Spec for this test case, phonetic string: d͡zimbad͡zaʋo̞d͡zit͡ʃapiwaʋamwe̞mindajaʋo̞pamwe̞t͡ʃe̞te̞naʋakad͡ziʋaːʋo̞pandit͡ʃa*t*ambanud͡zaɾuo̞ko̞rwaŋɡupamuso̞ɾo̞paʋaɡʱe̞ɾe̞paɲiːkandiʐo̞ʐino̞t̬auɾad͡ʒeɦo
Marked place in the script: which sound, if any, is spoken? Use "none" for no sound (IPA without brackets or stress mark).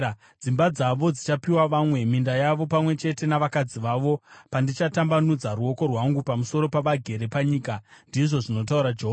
t